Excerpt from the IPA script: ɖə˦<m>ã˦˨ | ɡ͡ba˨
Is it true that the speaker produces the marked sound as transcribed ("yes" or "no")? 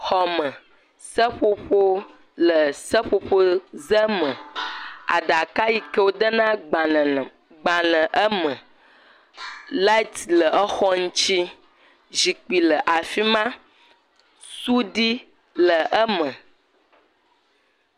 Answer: no